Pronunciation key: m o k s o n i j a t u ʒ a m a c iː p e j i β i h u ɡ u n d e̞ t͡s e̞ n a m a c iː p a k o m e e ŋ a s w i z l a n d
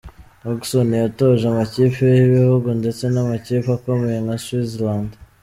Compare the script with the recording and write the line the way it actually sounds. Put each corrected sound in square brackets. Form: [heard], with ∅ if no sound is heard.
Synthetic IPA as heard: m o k s o n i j a t [o] ʒ a m a c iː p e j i β i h u ɡ u n d e̞ t͡s e̞ n a m a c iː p a k o m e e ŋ a s w i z l a n d